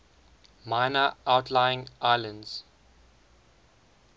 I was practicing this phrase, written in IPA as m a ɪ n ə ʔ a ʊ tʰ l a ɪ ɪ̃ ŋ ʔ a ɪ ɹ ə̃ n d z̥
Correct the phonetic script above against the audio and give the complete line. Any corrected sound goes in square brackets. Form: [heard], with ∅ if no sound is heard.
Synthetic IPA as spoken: m a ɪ n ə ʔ a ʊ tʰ l a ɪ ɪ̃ ŋ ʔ a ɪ [l] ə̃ n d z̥